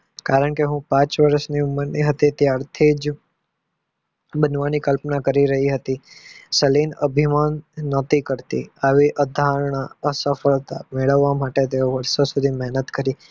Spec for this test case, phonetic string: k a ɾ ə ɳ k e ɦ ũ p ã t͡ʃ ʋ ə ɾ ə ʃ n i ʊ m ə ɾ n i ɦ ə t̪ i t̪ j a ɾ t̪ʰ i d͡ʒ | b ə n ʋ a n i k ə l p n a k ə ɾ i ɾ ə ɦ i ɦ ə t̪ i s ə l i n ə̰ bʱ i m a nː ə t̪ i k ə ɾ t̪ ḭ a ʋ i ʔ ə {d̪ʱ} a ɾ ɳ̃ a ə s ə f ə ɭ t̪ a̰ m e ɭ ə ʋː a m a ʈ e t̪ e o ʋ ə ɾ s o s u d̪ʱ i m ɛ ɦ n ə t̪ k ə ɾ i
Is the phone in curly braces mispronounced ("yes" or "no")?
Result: no